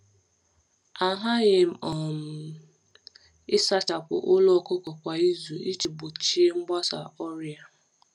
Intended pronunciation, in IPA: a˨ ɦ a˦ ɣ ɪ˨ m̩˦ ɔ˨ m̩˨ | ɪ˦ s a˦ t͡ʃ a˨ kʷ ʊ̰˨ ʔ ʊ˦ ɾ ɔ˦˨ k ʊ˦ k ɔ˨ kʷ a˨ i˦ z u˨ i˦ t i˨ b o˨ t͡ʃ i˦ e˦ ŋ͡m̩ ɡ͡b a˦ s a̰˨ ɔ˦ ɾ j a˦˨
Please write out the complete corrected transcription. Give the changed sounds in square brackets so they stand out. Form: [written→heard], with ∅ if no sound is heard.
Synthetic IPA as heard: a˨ ɦ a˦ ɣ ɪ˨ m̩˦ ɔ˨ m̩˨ | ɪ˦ s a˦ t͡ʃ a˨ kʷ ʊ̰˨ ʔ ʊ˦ [ɾ→l] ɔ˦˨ k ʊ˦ k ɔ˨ kʷ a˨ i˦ z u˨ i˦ [t→t͡ʃ] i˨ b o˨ t͡ʃ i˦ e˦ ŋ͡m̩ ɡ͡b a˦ s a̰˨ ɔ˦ ɾ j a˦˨